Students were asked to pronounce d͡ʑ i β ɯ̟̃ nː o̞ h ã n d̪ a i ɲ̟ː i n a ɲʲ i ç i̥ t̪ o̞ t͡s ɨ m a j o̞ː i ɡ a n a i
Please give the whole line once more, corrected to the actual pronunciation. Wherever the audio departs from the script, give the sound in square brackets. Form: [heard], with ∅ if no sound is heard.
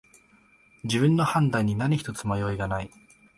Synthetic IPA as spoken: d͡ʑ i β ɯ̟̃ nː o̞ h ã n d̪ a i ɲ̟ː i n a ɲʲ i ç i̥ t̪ o̞ t͡s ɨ m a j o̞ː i ɡ a n a i